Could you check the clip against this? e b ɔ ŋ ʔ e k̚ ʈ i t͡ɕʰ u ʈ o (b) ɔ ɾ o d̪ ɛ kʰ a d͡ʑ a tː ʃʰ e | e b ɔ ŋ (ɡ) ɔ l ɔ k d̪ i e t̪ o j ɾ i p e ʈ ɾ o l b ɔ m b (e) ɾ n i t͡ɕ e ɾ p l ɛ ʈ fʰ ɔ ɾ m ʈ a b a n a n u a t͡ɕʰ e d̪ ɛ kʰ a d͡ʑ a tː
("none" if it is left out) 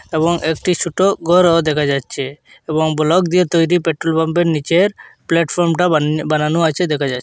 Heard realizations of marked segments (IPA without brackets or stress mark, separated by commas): ɡ, b, e